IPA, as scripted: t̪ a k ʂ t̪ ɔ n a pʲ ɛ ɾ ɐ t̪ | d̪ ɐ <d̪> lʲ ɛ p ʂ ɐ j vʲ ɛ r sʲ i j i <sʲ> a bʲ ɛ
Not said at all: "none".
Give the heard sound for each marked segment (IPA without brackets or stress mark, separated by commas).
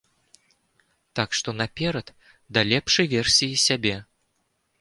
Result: none, sʲ